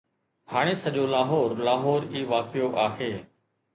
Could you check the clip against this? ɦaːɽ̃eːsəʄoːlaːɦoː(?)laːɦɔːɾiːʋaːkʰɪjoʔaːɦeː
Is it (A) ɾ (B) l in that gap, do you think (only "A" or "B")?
A